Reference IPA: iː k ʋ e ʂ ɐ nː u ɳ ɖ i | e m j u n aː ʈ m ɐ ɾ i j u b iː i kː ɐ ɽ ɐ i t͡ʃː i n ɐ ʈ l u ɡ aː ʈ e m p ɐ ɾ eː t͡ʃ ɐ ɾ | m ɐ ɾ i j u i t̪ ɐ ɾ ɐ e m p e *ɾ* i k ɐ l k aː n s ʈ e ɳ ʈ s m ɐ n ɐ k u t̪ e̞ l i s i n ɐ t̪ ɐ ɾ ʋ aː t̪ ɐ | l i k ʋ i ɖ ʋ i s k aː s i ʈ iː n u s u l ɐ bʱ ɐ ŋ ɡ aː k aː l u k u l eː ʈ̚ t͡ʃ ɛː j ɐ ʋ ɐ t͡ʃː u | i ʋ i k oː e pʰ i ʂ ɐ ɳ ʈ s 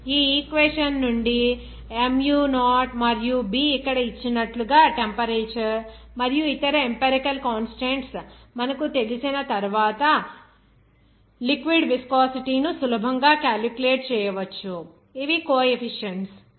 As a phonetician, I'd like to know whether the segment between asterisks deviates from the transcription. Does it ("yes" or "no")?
no